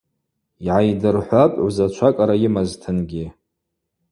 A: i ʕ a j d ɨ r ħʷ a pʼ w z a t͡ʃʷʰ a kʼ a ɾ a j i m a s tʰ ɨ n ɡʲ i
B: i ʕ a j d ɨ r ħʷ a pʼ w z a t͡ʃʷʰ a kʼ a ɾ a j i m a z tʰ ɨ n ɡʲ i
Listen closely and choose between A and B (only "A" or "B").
B